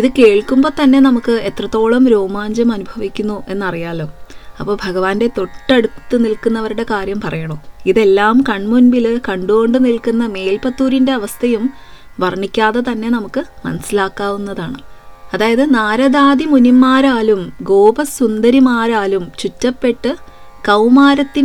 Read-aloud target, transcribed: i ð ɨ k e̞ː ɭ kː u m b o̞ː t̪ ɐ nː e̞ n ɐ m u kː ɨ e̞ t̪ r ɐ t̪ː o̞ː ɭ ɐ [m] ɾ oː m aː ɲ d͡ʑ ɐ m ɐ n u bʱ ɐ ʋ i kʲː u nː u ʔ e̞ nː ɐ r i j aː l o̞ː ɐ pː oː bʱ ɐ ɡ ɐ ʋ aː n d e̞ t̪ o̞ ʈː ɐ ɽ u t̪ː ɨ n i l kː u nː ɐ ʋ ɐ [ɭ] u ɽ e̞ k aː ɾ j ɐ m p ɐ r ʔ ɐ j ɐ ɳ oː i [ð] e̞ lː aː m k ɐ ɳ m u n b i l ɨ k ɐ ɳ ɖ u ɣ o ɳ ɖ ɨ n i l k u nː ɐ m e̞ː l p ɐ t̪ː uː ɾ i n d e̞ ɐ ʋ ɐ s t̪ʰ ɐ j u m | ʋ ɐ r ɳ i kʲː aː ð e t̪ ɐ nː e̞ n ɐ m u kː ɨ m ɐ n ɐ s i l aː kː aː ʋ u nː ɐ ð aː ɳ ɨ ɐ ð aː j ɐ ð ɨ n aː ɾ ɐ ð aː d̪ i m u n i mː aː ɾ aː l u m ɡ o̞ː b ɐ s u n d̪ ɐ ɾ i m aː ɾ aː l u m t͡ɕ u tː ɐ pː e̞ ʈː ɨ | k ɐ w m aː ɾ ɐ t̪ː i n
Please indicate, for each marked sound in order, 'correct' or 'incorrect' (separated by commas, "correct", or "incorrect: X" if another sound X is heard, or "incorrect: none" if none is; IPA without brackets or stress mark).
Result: correct, incorrect: ɾ, correct